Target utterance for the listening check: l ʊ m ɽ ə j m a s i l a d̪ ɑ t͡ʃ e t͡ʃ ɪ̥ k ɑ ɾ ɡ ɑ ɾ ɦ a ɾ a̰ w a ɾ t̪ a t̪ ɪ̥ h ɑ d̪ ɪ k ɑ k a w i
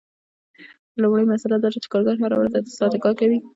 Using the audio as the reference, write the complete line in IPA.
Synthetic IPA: l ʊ m ɽ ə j m a s a l a d̪ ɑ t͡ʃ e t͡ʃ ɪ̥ k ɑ ɾ ɡ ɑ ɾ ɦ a ɾ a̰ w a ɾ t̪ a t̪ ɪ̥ s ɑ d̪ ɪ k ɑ k a w i